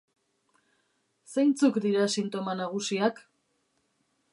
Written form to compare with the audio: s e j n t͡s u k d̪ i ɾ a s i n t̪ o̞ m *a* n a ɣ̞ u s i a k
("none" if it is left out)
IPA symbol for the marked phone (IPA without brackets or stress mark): a